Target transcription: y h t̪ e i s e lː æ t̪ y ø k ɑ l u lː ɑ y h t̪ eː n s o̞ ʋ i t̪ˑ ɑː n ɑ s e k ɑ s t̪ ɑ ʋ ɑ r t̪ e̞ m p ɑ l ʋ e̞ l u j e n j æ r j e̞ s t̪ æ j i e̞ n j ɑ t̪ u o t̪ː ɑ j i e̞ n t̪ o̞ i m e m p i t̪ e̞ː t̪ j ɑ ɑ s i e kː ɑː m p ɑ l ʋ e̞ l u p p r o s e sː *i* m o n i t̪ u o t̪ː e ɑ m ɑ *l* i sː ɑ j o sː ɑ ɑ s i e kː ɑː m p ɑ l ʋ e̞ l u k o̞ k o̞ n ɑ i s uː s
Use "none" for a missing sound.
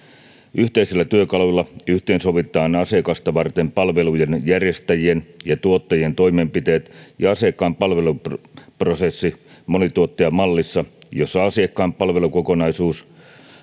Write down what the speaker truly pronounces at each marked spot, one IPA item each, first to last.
i, lː

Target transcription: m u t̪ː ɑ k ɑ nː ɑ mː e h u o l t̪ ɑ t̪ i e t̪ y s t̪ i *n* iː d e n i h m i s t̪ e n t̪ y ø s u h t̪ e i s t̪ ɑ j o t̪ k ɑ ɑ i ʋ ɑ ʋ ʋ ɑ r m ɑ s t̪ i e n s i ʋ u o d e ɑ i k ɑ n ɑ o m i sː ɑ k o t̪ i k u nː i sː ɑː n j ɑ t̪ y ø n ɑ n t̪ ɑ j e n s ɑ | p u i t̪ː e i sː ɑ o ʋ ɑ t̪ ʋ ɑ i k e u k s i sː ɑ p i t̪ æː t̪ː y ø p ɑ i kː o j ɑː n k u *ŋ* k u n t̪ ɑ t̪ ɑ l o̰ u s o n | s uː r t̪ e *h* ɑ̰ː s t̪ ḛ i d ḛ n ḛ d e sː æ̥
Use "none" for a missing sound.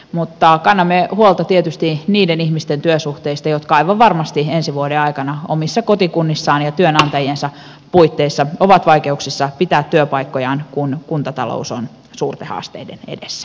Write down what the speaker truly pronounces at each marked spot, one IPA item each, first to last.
n, n, h

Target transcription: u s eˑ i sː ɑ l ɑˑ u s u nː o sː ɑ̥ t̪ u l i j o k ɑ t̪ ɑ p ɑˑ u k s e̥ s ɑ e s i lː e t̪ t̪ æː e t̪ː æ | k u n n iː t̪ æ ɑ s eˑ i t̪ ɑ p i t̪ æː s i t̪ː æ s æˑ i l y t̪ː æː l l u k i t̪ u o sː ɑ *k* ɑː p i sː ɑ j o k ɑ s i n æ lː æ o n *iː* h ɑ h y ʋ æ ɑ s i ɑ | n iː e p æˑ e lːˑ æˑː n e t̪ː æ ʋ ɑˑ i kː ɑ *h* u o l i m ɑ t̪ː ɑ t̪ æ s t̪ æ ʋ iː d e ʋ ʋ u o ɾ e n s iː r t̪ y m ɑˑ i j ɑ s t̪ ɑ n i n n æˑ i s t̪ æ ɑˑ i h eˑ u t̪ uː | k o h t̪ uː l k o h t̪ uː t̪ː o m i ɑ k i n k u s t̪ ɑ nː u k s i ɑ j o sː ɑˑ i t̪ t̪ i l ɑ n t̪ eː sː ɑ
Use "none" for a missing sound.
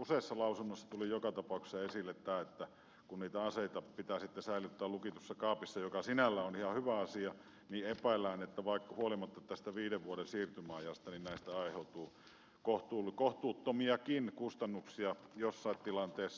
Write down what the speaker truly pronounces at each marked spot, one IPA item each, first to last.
k, i, h

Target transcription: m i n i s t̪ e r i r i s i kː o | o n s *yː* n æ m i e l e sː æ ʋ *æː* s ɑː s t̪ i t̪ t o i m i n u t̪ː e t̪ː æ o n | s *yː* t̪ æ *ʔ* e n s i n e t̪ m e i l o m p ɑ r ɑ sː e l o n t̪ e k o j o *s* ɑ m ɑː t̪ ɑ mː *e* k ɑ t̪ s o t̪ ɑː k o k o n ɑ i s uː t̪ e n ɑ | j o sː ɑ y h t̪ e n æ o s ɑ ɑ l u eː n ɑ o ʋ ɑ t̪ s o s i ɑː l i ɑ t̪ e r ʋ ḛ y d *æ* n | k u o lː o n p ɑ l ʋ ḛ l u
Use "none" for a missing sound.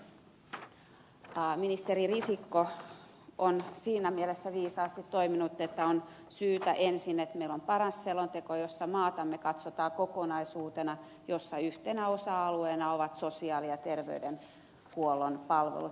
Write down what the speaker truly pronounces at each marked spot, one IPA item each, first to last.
iː, iː, yː, ʔ, sː, e, e

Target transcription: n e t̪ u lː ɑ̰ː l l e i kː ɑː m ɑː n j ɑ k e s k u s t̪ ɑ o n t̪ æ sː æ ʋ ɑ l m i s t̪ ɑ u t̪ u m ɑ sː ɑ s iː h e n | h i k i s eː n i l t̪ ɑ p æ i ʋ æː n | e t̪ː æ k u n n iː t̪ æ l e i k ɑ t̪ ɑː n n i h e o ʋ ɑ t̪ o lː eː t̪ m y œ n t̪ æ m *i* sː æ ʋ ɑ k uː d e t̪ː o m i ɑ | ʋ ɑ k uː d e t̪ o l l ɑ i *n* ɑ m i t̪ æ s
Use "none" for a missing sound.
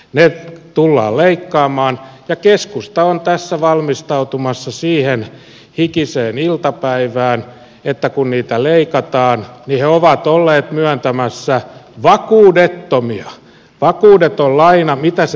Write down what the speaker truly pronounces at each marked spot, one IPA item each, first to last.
æ, n

